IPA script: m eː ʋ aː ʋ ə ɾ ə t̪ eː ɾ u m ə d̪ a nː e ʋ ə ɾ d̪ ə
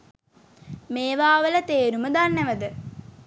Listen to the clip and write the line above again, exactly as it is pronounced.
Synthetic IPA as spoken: m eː ʋ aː ʋ ə l ə t̪ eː ɾ u m ə d̪ a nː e ʋ ə d̪ ə